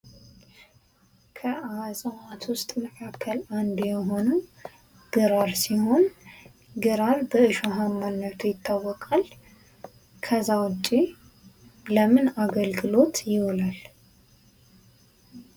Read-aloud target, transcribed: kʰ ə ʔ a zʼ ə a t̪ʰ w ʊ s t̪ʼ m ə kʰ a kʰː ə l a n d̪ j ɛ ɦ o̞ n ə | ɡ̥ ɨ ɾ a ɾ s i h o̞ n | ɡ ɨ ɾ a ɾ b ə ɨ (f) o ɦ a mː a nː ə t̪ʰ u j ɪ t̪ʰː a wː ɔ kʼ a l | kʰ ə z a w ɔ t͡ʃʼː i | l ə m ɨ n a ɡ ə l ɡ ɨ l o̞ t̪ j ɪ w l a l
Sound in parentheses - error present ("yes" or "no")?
yes